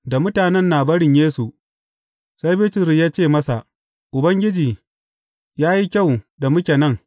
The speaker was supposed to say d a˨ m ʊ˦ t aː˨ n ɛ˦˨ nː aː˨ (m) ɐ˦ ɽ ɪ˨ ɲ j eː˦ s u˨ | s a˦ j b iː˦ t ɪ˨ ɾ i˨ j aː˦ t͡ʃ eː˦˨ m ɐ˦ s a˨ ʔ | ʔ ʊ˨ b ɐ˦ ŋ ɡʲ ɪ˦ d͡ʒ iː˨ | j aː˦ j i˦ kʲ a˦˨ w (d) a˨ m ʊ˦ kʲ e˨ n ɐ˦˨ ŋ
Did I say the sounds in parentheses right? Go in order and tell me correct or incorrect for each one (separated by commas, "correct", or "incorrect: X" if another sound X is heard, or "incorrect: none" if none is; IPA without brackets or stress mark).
incorrect: b, correct